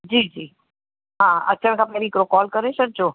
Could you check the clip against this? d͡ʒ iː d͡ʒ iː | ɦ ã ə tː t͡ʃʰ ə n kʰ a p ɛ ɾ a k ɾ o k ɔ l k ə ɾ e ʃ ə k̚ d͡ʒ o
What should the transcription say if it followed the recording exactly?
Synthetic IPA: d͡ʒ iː d͡ʒ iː | ɦ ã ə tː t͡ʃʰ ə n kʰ a p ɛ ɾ i k ɾ o k ɔ l k ə ɾ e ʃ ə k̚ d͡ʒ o